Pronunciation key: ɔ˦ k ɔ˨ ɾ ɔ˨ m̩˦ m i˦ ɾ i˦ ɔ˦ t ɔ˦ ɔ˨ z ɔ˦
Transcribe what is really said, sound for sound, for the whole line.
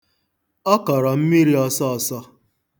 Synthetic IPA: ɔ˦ k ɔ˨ ɾ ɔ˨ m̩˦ m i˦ ɾ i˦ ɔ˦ s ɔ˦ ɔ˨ s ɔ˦